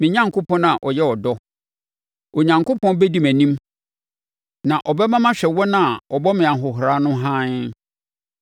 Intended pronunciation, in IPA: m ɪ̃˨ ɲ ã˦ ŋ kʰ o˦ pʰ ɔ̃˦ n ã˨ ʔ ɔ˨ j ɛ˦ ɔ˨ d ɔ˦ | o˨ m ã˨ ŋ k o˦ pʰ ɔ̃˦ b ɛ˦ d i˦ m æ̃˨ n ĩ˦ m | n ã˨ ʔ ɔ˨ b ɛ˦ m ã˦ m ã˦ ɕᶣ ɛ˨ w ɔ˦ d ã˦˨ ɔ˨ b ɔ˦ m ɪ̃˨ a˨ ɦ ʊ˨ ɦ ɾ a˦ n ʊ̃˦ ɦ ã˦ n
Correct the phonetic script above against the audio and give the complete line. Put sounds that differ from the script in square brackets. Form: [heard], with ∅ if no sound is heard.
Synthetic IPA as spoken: m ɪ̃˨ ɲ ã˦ ŋ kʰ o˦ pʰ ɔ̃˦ n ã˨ ʔ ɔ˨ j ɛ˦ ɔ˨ d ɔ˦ | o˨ [ɲ] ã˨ ŋ k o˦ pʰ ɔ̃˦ b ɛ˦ d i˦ m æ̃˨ n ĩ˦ m | n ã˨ ʔ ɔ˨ b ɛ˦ m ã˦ m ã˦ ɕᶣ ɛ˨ w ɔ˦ [n] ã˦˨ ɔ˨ b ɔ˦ m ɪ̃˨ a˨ ɦ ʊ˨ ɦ ɾ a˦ n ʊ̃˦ ɦ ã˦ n